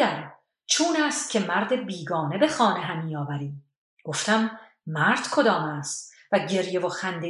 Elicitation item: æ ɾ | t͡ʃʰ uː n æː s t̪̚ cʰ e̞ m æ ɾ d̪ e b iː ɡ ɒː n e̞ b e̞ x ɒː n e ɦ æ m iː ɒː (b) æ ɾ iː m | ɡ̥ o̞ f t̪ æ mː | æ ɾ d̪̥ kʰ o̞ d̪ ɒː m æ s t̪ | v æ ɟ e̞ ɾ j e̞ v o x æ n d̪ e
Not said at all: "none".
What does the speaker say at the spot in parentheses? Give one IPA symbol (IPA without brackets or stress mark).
v